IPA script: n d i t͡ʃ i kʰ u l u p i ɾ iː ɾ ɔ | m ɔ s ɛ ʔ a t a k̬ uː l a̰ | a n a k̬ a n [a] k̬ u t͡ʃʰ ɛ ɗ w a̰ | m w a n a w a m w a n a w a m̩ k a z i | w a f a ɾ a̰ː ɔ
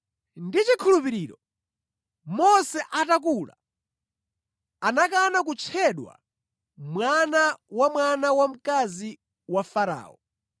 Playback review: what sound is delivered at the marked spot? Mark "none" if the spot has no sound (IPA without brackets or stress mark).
a